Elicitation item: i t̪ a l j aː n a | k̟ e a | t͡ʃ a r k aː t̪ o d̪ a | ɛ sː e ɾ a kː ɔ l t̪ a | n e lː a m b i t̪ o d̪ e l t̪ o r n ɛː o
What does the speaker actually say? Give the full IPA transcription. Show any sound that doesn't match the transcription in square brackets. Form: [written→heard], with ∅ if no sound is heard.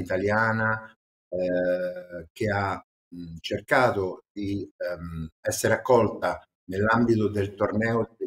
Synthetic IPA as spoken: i t̪ a l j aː n a | k̟ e a | t͡ʃ [a→e] r k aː t̪ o d̪ [a→i] | ɛ sː e ɾ a kː ɔ l t̪ a | n e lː a m b i t̪ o d̪ e l t̪ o r n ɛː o